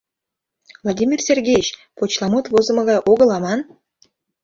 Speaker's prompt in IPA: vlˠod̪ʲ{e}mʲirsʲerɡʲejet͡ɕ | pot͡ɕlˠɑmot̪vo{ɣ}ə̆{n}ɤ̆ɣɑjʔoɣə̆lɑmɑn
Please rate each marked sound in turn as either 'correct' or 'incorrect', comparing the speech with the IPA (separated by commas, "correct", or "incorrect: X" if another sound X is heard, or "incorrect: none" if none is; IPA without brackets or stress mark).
incorrect: i, incorrect: z, incorrect: m